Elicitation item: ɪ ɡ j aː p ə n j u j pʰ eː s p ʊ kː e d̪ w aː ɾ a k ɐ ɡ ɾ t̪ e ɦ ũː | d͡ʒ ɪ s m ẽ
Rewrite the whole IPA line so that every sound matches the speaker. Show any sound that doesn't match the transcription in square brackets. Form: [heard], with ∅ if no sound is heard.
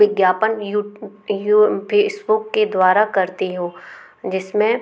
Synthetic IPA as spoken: ɪ ɡ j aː p ə n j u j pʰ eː s [b] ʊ kː e d̪ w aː ɾ a k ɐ [∅] ɾ t̪ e ɦ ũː | d͡ʒ ɪ s m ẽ